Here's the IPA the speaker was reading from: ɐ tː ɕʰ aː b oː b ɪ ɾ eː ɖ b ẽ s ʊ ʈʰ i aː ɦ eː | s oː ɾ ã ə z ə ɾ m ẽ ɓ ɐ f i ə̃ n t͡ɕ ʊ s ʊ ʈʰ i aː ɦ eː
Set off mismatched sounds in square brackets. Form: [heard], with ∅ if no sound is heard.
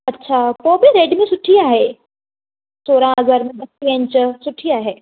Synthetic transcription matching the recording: ɐ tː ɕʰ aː [p] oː b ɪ ɾ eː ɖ [m] ẽ s ʊ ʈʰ i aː ɦ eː | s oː ɾ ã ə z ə ɾ m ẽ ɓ ɐ [s] i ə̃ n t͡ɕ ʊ s ʊ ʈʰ i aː ɦ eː

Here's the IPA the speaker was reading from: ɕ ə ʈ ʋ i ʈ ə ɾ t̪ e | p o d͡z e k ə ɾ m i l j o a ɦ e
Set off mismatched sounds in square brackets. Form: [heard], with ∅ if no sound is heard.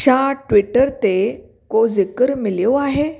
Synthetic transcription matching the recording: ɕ [a] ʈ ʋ i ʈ ə ɾ t̪ e | [k] o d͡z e k ə ɾ m i l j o a ɦ e

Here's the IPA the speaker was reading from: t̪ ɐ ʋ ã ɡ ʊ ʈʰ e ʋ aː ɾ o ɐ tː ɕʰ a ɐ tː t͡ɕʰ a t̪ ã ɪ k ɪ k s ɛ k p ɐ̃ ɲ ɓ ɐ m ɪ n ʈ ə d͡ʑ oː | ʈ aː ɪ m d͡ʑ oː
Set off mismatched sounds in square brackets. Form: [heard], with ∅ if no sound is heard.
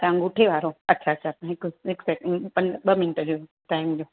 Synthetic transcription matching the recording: t̪ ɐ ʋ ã ɡ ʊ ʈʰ e ʋ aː ɾ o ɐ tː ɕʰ a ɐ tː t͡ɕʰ a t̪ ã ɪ k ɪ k s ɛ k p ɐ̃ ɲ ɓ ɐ m ɪ n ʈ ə d͡ʑ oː | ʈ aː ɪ m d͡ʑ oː

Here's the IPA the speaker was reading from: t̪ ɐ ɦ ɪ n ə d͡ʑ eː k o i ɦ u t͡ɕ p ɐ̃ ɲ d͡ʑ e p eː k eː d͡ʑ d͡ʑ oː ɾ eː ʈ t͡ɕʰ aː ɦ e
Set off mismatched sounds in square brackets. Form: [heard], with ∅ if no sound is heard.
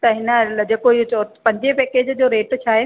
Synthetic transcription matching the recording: t̪ ɐ ɦ ɪ n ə d͡ʑ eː k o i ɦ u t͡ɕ p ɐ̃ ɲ d͡ʑ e p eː k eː d͡ʑ d͡ʑ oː ɾ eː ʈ t͡ɕʰ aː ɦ e

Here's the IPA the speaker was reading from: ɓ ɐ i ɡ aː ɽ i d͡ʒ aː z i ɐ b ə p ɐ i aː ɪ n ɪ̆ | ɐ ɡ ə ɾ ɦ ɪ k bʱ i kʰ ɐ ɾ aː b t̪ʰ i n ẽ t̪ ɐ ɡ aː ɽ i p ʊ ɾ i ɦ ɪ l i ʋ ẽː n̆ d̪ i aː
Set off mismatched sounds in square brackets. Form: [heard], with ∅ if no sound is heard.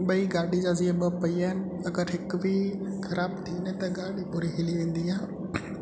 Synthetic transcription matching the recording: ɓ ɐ i ɡ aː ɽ i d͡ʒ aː z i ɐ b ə p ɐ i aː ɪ n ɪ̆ | ɐ ɡ ə ɾ ɦ ɪ k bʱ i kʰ ɐ ɾ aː b t̪ʰ i n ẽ t̪ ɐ ɡ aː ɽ i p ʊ ɾ i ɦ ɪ l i ʋ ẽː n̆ d̪ i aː

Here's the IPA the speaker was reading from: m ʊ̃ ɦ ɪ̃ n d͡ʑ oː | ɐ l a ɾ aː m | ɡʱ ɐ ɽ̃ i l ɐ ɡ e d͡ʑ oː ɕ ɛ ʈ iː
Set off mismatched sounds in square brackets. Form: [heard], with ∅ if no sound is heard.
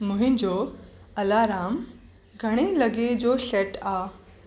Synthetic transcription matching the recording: m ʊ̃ ɦ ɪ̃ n d͡ʑ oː | ɐ l a ɾ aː m | ɡʱ ɐ ɽ̃ [e] l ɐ ɡ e d͡ʑ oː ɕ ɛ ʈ [aː]

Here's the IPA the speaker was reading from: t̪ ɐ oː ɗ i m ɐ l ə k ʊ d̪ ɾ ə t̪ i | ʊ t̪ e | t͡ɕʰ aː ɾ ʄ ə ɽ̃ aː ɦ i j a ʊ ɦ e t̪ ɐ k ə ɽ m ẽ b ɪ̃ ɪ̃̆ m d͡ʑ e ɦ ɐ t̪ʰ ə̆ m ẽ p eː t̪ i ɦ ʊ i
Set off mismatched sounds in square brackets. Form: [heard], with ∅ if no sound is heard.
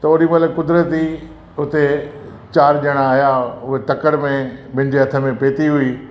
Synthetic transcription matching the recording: t̪ ɐ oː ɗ i m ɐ l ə k ʊ d̪ ɾ ə t̪ i | ʊ t̪ e | [t͡ɕ] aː ɾ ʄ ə ɽ̃ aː ɦ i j a ʊ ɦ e t̪ ɐ k ə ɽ m ẽ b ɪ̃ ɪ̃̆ [∅] d͡ʑ e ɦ ɐ t̪ʰ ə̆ m ẽ p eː t̪ i ɦ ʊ i

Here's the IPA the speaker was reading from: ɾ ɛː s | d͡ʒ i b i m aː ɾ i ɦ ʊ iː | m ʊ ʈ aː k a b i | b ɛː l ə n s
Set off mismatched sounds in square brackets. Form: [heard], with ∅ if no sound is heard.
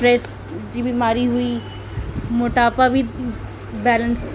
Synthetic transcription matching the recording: ɾ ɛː s | d͡ʒ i b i m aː ɾ i ɦ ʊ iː | m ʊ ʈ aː [p] a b i | b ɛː l ə n s

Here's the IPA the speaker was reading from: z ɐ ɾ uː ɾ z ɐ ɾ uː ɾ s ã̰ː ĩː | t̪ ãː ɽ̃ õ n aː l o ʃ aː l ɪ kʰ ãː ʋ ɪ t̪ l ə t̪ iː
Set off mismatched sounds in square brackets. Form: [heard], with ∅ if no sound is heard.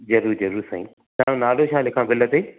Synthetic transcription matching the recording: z ɐ ɾ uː ɾ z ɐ ɾ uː ɾ s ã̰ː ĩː | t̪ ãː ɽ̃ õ n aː l o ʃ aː l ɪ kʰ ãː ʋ ɪ [∅] l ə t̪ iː

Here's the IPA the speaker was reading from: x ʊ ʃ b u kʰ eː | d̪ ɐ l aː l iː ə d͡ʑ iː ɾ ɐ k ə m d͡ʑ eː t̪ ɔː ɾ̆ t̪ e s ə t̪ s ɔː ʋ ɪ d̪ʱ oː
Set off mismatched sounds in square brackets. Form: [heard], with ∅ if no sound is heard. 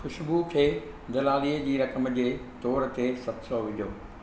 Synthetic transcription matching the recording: x ʊ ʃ b u kʰ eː | d̪ ɐ l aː l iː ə d͡ʑ iː ɾ ɐ k ə m d͡ʑ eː t̪ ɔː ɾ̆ t̪ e s [ɐ] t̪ s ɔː ʋ ɪ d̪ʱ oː

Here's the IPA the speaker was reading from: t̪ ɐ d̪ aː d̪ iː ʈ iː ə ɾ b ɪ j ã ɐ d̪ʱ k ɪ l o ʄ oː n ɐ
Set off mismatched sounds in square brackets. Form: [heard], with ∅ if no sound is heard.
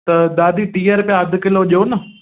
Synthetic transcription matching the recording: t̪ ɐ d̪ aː d̪ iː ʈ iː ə ɾ [p] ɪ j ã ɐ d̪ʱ k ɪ l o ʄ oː n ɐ

